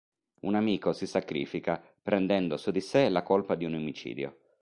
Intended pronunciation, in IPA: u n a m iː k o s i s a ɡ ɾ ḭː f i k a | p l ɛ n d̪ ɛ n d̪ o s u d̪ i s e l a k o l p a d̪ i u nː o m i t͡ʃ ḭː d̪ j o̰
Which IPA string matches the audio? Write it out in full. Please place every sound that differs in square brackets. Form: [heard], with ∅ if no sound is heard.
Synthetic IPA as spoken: u n a m iː k o s i s a [k] ɾ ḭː f i k a | p [ɾ] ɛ n d̪ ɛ n d̪ o s u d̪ i s e l a k o l p a d̪ i u [n] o m i t͡ʃ ḭː d̪ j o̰